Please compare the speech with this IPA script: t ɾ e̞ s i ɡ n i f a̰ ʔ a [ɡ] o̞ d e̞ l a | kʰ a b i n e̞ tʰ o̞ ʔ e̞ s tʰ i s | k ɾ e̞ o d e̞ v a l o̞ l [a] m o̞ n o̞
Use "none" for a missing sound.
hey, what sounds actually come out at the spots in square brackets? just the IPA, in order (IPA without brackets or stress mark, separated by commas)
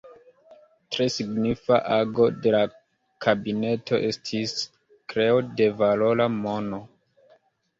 ɡ, a